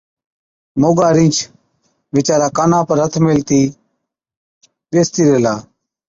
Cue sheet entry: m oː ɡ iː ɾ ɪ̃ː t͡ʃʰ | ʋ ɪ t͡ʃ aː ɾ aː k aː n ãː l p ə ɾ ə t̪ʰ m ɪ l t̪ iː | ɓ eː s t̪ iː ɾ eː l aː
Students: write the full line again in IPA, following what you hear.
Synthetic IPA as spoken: m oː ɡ aː ɾ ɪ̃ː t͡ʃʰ | ʋ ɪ t͡ʃ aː ɾ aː k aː n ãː p ə ɾ ə t̪ʰ m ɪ l t̪ iː | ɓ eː s t̪ iː ɾ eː l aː